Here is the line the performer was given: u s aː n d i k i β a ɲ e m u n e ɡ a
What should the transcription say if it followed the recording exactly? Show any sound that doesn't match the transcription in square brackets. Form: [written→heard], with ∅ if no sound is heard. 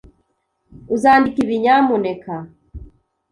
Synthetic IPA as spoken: u [s→z] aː n d i k i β [a→i] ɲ [e→a] m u n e [ɡ→k] a